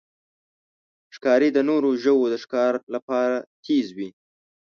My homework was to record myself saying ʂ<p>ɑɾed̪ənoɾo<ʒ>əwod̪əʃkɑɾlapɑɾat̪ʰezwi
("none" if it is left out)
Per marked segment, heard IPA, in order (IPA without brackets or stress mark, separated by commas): k, ʒ